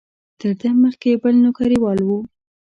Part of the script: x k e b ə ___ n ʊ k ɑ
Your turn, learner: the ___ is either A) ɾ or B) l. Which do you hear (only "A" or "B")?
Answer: B